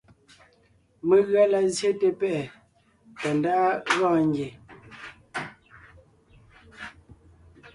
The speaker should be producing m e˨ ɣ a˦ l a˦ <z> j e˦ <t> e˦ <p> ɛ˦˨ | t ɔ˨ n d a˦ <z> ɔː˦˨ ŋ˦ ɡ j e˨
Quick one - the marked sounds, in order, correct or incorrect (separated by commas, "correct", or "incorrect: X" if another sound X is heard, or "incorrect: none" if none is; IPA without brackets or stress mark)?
correct, correct, correct, incorrect: ɣ